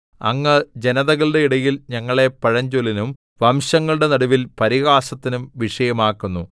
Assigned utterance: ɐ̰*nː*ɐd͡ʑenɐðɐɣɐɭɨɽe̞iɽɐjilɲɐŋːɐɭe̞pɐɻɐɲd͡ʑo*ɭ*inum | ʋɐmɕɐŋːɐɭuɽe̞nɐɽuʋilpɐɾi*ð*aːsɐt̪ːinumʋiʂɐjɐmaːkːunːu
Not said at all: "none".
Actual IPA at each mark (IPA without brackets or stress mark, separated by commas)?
ŋː, l, ɣ